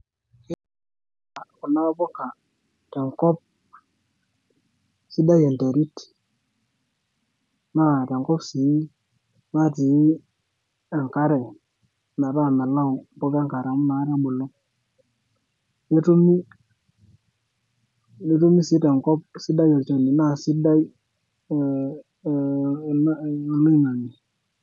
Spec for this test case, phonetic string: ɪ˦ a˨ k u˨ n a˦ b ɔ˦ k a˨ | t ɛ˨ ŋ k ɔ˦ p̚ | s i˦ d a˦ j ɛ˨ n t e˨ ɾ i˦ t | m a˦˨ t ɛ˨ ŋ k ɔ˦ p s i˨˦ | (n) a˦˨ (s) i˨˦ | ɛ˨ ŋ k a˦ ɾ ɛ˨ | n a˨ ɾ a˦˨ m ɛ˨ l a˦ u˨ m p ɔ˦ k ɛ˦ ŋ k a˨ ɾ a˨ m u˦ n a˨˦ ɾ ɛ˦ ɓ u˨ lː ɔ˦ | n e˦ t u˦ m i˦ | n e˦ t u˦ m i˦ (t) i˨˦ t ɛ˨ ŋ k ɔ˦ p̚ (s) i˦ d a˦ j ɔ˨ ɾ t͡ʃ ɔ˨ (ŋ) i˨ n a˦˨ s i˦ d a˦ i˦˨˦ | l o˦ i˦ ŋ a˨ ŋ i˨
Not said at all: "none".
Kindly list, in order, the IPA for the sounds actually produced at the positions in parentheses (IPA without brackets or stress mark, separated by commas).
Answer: m, t, s, s, n